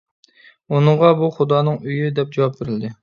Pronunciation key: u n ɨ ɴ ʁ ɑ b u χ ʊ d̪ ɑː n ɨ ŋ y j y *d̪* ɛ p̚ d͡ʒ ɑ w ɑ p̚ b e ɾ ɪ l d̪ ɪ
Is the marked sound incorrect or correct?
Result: correct